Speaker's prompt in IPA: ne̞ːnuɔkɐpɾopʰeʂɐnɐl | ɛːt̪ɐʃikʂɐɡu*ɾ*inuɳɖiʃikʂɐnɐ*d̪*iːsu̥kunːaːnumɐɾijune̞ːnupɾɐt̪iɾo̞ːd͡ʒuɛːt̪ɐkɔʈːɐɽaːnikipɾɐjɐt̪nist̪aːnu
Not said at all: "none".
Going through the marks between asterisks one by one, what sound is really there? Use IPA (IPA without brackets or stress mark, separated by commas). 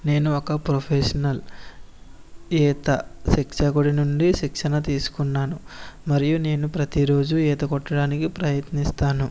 ɽ, t̪